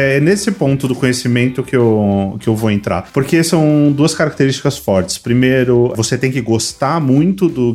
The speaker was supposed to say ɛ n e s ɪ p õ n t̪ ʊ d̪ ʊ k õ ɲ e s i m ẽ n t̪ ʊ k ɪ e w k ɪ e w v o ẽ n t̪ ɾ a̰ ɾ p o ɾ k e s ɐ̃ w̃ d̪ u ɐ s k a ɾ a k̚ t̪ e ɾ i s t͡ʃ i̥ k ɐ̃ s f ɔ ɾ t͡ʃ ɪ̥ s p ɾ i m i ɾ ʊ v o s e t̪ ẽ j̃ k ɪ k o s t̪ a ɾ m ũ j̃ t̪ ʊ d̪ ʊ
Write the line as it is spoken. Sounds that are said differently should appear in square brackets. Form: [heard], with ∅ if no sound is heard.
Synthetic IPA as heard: ɛ n e s ɪ p õ n t̪ ʊ d̪ ʊ k õ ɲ e s i m ẽ n t̪ ʊ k ɪ e w k ɪ e w v o ẽ n t̪ ɾ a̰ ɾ p o ɾ k e s ɐ̃ w̃ d̪ u ɐ s k a ɾ a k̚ t̪ e ɾ i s t͡ʃ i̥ k [ɐ] s f ɔ ɾ t͡ʃ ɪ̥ s p ɾ i m [e] ɾ ʊ v o s e t̪ ẽ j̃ k ɪ [ɡ] o s t̪ a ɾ m ũ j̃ t̪ ʊ d̪ ʊ